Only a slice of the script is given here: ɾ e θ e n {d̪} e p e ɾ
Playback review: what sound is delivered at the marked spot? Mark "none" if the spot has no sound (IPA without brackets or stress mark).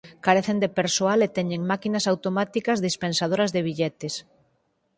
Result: d̪